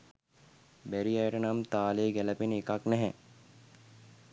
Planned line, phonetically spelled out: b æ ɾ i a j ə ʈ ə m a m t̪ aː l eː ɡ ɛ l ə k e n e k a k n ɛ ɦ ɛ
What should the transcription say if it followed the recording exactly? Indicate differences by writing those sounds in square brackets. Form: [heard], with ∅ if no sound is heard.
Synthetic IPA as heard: b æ ɾ i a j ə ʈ ə [n] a m t̪ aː l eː ɡ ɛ l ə [p] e n e k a k n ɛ ɦ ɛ